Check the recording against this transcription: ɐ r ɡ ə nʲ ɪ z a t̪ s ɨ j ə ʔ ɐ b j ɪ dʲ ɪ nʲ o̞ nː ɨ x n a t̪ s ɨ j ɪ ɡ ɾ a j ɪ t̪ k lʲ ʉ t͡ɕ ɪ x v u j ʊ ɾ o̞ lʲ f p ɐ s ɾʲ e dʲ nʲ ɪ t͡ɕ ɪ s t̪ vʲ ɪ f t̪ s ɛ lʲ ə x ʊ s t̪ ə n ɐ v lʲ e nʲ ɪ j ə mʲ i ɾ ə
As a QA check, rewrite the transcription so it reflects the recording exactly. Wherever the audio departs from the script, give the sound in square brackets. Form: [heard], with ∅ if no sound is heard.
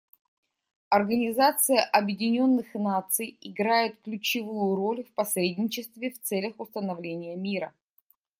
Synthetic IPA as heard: ɐ r ɡ ə nʲ ɪ z a t̪ s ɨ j ə ʔ ɐ b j ɪ dʲ ɪ nʲ o̞ nː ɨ x n a t̪ s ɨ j ɪ ɡ ɾ a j ɪ t̪ k lʲ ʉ t͡ɕ ɪ [∅] v u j ʊ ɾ o̞ lʲ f p ɐ s ɾʲ e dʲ nʲ ɪ t͡ɕ ɪ s t̪ vʲ ɪ f t̪ s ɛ lʲ ə x ʊ s t̪ ə n ɐ v lʲ e nʲ ɪ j ə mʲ i ɾ ə